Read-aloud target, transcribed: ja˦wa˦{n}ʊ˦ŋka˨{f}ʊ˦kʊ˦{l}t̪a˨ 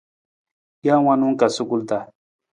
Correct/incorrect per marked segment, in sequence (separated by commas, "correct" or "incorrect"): correct, incorrect, correct